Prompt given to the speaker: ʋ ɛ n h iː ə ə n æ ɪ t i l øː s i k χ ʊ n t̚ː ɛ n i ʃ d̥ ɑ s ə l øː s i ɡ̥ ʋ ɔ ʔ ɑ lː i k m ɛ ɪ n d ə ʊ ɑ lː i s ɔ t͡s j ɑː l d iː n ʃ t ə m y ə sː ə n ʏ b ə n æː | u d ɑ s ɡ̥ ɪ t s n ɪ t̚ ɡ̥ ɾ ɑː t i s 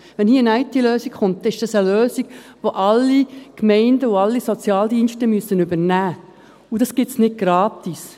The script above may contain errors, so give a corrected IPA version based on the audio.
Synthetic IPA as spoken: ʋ ɛ n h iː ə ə n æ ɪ t i l øː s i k χ ʊ n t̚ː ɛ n ɪ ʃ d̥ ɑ s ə l øː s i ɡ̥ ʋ o ʔ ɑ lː i k m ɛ ɪ n d ə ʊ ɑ lː i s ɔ t͡s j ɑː l d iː n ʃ t ə m y ə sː ə n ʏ b ə n æː | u d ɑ s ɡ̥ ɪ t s n ɪ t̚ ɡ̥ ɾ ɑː t i s